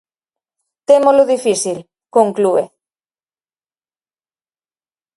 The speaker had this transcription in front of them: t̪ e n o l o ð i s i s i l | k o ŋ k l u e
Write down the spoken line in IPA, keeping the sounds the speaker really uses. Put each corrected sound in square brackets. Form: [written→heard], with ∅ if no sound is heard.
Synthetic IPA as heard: t̪ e [n→m] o l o ð i [s→f] i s i l | k o ŋ k l u e